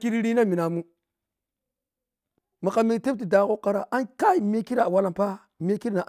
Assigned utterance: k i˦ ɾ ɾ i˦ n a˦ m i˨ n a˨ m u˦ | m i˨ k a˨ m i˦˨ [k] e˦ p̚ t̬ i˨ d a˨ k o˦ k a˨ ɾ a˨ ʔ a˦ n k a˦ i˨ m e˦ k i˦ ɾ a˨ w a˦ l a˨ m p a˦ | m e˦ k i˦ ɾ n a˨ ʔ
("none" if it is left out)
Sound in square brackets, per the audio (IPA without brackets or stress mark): t